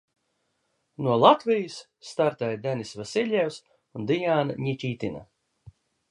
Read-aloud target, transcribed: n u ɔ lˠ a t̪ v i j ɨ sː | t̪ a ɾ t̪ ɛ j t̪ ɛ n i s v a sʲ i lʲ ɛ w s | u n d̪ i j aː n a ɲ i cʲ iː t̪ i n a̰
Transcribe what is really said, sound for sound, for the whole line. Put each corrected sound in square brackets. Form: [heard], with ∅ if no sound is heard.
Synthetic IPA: n u ɔ lˠ a t̪ v i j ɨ sː | t̪ a ɾ t̪ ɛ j [d̪] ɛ n i s v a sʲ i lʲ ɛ w s | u n d̪ i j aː n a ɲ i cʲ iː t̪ i n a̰